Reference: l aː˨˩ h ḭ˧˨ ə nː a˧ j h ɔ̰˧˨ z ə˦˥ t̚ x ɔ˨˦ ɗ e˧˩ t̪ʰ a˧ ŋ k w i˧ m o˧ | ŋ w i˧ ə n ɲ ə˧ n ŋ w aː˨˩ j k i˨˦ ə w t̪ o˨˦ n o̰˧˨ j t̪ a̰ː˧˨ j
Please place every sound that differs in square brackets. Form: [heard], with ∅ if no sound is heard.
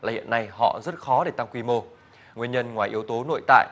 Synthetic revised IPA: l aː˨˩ h ḭ˧˨ ə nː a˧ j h ɔ̰˧˨ z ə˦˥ t̚ x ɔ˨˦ ɗ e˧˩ [t̪] a˧ ŋ k w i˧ m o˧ | ŋ w i˧ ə n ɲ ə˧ n ŋ w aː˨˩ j [ʔ] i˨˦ ə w t̪ o˨˦ n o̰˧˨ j t̪ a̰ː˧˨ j